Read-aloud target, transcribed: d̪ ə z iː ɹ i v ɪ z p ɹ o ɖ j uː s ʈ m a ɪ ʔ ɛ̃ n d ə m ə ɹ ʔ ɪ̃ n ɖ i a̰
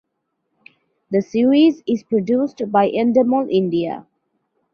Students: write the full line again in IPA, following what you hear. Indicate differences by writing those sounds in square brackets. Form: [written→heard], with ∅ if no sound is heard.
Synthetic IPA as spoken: d̪ ə [z→s] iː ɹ i [v→z] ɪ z p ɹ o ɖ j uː s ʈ [m→b] a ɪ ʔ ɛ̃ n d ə m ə [ɹ→l] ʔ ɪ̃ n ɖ i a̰